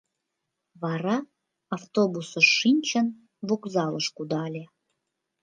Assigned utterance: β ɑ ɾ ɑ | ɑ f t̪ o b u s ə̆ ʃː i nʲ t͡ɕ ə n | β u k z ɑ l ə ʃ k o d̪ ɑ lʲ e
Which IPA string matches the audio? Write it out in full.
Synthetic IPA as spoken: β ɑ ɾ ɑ | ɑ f t̪ o b u s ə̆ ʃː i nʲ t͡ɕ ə n | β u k z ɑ l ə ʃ k u d̪ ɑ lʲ e